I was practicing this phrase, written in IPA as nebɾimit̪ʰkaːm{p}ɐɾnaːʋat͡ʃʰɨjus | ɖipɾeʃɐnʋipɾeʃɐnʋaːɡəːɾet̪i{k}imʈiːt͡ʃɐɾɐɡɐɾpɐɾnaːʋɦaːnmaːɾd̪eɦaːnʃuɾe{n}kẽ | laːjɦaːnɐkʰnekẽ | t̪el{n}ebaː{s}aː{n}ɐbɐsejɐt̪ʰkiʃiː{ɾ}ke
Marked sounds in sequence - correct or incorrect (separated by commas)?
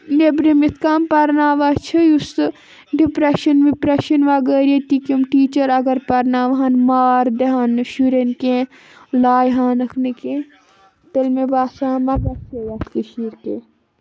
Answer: correct, correct, correct, incorrect, correct, incorrect, correct